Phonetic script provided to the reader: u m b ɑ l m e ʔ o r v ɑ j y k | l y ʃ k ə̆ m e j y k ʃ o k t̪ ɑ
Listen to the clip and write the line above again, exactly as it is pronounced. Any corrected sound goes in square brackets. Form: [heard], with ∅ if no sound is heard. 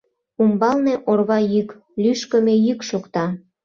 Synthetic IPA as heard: u m b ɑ l [n] e ʔ o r [β] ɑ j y k | l y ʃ k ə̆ m e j y k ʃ o k t̪ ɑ